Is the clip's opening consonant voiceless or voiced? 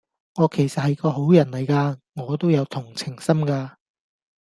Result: voiced